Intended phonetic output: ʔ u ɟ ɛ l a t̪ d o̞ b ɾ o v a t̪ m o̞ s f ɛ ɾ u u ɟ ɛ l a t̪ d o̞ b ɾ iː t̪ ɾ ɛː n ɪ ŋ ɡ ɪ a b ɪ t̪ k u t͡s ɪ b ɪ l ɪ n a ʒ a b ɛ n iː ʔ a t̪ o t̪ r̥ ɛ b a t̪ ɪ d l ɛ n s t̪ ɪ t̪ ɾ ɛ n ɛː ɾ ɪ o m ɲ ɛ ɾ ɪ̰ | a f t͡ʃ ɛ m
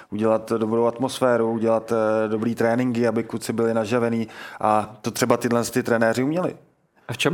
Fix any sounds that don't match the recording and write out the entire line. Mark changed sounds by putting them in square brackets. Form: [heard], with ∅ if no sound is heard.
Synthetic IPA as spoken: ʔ u ɟ ɛ l a t̪ d o̞ b ɾ o [w] a t̪ m o̞ s f [ɛː] ɾ u u ɟ ɛ l a t̪ d o̞ b ɾ iː t̪ ɾ ɛː n ɪ ŋ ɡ ɪ a b ɪ [∅] k u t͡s ɪ b ɪ l ɪ n a ʒ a [v] ɛ n iː ʔ a t̪ o t̪ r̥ ɛ b a t̪ ɪ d l ɛ n s t̪ ɪ t̪ ɾ ɛ n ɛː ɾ ɪ [u] m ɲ ɛ [l] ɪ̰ | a f t͡ʃ ɛ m